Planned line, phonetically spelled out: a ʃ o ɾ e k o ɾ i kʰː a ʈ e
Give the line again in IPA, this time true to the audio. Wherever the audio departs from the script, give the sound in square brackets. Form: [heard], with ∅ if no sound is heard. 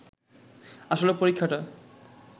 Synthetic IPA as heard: a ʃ o [l] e [p] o ɾ i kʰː a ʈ [a]